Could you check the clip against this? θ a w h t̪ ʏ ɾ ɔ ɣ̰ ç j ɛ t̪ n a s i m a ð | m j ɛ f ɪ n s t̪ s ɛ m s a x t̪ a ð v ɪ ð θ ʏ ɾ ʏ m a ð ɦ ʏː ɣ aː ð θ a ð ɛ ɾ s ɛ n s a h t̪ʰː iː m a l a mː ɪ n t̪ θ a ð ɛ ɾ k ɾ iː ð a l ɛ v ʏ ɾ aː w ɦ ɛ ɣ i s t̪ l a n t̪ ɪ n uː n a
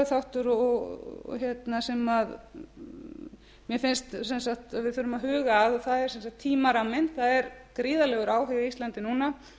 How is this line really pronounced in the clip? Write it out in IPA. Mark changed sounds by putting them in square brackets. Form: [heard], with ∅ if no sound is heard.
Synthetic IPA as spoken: θ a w h t̪ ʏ ɾ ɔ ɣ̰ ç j ɛ t̪ n a s [ɛ] m a ð | m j ɛ f ɪ n s t̪ s ɛ [n] s a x t̪ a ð v ɪ ð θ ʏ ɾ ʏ m a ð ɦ ʏː ɣ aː ð θ a ð ɛ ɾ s ɛ n s a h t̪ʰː iː m a [ɾ] a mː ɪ n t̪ θ a ð ɛ ɾ k ɾ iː ð a l ɛ [ɣ] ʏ ɾ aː w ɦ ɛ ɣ i s t̪ l a n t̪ ɪ n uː n a